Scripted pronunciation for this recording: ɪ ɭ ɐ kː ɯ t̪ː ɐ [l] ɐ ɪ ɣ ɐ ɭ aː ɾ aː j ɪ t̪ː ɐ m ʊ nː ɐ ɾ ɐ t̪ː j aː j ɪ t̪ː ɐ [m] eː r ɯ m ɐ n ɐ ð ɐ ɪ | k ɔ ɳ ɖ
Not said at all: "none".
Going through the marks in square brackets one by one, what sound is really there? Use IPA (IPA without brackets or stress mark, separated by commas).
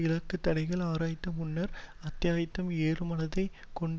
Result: ɽ, m